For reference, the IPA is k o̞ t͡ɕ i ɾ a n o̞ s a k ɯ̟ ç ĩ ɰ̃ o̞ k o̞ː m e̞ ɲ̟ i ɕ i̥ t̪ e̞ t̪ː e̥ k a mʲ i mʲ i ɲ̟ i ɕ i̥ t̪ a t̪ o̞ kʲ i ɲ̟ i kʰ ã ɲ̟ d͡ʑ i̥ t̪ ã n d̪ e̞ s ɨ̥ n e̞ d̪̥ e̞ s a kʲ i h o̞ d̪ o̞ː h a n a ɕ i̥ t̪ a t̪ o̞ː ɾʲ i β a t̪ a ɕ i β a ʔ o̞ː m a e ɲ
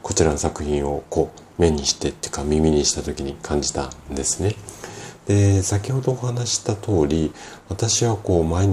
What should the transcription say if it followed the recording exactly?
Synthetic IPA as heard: k o̞ t͡ɕ i ɾ a n o̞ s a k ɯ̟ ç ĩ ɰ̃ o̞ k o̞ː m e̞ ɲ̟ i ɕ i̥ t̪ e̞ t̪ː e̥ k a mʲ i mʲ i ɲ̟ i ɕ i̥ t̪ a t̪ o̞ kʲ i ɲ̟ i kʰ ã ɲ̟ d͡ʑ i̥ t̪ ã n d̪ e̞ s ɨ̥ n e̞ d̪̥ e̞ s a kʲ i h o̞ d̪ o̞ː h a n a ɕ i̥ t̪ a t̪ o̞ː ɾʲ i β a t̪ a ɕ i β a k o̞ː m a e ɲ